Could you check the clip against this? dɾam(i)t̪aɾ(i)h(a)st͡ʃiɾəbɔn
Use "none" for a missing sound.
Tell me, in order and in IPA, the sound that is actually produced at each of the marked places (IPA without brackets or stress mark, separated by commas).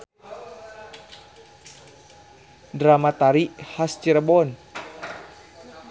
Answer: a, i, a